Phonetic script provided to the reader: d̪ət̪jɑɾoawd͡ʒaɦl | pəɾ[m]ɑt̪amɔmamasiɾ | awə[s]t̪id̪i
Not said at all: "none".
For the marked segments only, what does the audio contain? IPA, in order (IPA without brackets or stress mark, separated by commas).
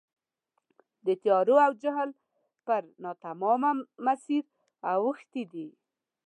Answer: n, x